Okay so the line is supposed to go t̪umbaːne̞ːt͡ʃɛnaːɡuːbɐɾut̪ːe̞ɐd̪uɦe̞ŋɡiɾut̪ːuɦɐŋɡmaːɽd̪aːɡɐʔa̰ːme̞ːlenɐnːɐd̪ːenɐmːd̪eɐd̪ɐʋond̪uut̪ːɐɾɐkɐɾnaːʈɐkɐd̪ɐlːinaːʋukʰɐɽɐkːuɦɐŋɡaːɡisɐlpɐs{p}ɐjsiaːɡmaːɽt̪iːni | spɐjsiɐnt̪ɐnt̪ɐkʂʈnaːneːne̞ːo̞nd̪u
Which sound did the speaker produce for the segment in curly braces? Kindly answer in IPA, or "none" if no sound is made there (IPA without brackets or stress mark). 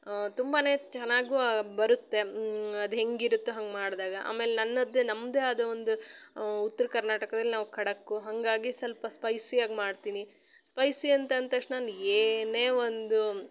p